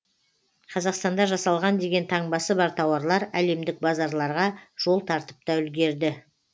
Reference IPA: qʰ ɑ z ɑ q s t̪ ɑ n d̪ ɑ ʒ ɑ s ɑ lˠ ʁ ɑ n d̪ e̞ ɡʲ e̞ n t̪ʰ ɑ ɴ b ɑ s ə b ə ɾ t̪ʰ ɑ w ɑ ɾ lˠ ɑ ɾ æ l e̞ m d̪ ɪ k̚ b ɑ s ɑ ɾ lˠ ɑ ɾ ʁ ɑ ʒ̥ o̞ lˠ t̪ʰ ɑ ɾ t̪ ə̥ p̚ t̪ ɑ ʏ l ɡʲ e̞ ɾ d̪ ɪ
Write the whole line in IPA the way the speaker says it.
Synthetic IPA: qʰ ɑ z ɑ q s t̪ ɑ n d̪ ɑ ʒ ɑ s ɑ lˠ ʁ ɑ n d̪ e̞ ɡʲ e̞ n t̪ʰ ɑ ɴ b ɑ s ə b ɑ ɾ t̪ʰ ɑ w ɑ ɾ lˠ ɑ ɾ æ l e̞ m d̪ ɪ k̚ b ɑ z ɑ ɾ lˠ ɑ ɾ ʁ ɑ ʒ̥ o̞ lˠ t̪ʰ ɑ ɾ t̪ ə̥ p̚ t̪ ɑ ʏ l ɡʲ e̞ ɾ d̪ ɪ